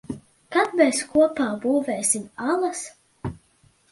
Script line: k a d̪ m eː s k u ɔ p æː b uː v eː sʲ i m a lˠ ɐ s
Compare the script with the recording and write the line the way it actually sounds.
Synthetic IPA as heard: k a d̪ m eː s k u ɔ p aː b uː v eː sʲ i m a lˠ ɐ s